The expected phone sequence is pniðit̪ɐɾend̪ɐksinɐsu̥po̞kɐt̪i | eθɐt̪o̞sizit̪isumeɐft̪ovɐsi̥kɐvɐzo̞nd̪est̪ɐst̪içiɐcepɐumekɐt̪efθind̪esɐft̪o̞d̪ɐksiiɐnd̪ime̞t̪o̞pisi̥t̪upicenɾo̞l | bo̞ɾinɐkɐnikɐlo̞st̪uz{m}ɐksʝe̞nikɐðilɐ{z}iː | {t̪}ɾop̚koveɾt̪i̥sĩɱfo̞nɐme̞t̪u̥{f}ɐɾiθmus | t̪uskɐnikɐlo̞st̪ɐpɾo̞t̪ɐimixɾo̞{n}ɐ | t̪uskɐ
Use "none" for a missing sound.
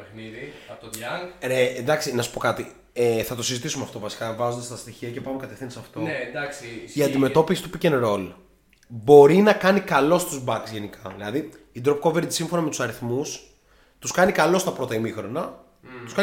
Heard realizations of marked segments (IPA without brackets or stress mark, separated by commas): b, ð, d̪, s, n